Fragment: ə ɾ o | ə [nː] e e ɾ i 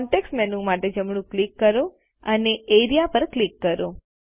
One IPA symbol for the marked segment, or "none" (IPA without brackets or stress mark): n